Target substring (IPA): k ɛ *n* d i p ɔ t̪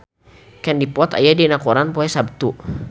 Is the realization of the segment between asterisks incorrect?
no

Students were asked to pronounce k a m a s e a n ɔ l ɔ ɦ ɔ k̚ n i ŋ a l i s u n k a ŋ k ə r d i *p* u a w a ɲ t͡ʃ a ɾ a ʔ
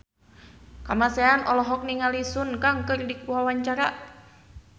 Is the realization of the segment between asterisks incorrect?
yes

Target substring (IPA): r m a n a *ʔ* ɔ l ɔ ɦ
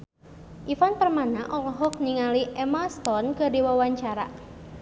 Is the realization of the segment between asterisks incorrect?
no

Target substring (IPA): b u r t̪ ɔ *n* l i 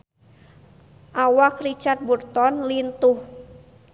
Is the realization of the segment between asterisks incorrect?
no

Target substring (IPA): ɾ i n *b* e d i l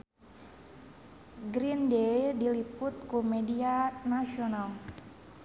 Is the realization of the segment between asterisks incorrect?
yes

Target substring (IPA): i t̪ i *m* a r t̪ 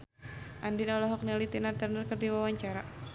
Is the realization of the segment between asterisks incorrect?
yes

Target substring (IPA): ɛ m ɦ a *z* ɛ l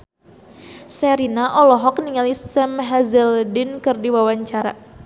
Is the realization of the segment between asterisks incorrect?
no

